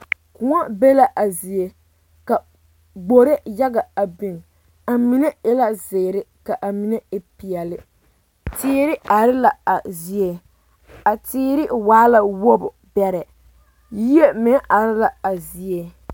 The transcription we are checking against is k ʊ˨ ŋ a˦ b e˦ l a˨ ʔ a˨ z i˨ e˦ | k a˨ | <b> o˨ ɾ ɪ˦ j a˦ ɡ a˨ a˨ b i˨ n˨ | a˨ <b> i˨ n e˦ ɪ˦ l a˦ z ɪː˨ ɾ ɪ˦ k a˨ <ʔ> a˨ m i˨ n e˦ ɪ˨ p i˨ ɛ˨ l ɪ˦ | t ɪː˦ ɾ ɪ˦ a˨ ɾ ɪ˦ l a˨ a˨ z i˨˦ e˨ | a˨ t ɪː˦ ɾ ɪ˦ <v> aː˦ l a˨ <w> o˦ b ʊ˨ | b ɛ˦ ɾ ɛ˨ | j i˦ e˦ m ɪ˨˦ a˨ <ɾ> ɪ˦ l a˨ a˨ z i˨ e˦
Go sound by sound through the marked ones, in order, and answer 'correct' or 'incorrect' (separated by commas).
incorrect, incorrect, correct, incorrect, correct, correct